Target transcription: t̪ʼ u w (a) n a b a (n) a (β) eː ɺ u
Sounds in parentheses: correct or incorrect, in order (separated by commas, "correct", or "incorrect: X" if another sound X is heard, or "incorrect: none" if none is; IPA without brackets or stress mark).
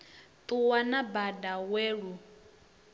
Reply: correct, incorrect: d, incorrect: w